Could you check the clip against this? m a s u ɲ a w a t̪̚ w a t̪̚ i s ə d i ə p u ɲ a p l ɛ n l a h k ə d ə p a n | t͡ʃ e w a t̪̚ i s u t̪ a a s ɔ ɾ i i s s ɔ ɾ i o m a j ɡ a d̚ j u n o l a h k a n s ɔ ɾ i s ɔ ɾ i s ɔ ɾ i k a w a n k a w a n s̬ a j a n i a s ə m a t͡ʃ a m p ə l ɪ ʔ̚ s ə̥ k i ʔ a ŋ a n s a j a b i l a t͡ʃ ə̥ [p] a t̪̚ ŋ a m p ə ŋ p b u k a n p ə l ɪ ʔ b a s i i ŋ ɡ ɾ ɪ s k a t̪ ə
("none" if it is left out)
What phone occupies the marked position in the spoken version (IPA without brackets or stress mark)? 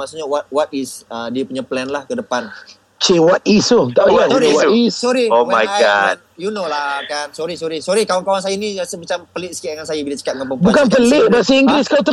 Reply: k